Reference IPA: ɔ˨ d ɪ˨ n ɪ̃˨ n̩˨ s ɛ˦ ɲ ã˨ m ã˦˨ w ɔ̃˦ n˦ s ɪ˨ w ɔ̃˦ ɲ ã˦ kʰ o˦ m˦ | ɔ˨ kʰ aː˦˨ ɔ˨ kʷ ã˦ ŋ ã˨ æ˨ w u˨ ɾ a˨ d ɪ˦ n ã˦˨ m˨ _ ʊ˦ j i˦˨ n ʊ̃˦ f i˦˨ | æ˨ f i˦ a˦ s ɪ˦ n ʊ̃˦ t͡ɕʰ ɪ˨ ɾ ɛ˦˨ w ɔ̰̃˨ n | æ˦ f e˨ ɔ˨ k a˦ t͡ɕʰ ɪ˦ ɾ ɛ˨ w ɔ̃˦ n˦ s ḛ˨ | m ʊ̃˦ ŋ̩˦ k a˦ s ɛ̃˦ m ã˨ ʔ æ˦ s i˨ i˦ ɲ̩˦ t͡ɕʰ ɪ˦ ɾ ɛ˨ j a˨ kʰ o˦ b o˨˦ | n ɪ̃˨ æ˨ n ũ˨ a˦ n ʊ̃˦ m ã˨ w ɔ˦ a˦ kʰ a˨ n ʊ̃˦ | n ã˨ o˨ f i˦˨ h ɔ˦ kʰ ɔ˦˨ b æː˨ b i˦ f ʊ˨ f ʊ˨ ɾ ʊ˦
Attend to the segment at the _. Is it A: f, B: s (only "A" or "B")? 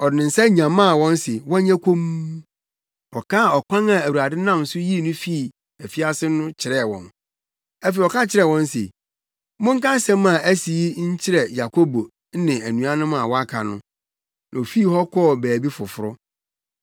B